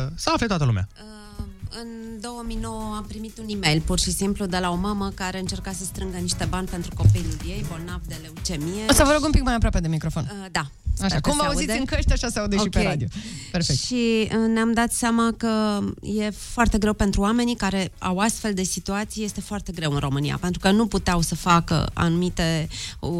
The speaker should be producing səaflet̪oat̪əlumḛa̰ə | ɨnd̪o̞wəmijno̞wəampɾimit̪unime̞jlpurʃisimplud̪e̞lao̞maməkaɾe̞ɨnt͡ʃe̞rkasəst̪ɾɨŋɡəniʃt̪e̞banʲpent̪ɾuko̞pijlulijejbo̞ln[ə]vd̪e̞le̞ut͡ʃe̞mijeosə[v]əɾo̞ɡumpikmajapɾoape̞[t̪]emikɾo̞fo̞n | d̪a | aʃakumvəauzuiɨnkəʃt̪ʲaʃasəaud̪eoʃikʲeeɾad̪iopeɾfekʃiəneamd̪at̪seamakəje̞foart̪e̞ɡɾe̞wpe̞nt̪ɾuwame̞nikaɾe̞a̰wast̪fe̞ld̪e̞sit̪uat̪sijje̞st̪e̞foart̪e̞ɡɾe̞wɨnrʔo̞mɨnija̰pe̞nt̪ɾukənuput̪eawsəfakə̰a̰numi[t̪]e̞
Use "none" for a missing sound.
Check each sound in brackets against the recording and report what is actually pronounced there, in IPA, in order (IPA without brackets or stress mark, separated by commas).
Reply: a, v, d̪, t̪